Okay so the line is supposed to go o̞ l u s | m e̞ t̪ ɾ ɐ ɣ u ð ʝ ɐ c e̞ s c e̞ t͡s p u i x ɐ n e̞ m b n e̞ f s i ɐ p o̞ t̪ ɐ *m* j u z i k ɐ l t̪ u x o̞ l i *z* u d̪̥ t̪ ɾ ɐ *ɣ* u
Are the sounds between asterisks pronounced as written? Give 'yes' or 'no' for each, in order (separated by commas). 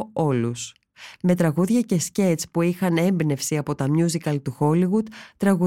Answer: yes, no, yes